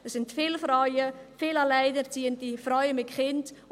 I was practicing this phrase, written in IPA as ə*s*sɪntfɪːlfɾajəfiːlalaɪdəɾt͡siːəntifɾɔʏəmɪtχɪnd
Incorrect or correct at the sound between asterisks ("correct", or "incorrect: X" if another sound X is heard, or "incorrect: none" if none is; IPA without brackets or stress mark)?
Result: correct